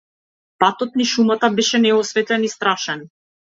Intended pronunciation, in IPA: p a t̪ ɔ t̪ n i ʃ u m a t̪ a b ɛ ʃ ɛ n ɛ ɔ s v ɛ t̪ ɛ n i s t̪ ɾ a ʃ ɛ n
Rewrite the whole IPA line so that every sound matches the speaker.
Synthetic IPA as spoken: p a t̪ ɔ t̪ n i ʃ u m a t̪ a b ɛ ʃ ɛ n ɛ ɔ s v ɛ t̪ ɛ n i s t̪ ɾ a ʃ ɛ n